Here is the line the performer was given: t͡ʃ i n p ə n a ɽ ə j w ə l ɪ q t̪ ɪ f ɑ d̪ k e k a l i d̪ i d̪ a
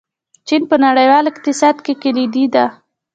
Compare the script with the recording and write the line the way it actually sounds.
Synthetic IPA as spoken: t͡ʃ i n p ə n a ɽ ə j w ɑ l ɪ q t̪ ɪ s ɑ d̪ k e k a l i d̪ i d̪ a